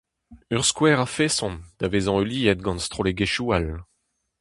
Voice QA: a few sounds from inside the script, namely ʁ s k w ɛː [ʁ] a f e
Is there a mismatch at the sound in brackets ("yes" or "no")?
no